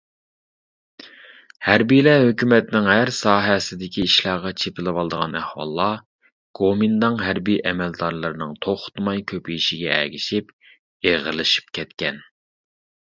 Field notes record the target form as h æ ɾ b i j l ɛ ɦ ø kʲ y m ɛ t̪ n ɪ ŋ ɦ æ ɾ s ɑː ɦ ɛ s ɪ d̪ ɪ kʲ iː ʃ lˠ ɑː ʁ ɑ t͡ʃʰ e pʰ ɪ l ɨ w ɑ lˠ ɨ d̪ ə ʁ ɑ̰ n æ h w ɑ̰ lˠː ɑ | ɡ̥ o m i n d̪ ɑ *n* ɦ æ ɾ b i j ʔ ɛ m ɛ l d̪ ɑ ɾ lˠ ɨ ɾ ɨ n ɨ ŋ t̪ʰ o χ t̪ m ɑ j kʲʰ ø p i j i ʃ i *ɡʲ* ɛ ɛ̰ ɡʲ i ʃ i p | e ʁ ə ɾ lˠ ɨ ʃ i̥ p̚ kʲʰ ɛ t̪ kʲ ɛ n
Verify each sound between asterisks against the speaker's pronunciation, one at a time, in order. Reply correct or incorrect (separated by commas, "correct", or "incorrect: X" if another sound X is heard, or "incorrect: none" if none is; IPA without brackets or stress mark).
incorrect: ŋ, correct